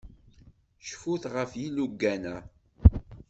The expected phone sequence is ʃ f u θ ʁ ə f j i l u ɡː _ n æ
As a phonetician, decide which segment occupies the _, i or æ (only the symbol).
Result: æ